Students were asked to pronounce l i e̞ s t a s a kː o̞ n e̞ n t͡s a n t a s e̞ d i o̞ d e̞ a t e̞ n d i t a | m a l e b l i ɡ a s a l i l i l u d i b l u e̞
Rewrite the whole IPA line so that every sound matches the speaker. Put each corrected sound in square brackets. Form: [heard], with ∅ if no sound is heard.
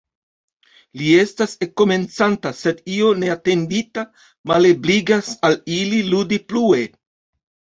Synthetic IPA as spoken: l i e̞ s t a s [e] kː o̞ [m] e̞ n t͡s a n t a s e̞ d i o̞ [n] e̞ a t e̞ n d i t a | m a l e b l i ɡ a s a l i l i l u d i [p] l u e̞